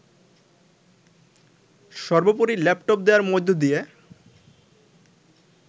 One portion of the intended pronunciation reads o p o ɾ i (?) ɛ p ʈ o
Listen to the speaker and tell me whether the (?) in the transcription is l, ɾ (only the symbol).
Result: l